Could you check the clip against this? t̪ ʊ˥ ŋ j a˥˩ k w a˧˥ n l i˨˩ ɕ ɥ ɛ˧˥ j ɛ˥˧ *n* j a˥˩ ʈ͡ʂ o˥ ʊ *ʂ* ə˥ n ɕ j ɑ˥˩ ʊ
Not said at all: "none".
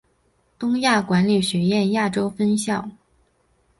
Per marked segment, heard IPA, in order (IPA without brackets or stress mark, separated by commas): n, f